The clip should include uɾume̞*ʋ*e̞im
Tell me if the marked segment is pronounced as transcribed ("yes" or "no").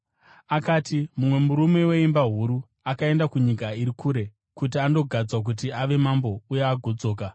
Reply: no